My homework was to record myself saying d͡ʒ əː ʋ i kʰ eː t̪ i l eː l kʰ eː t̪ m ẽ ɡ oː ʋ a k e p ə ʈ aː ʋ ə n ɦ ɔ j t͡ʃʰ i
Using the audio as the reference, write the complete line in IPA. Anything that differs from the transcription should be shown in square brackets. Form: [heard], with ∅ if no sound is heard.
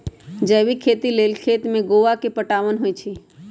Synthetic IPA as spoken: d͡ʒ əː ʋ i kʰ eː t̪ i l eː l kʰ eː t̪ m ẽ ɡ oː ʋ a k e p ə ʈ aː ʋ ə n ɦ [o] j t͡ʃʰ i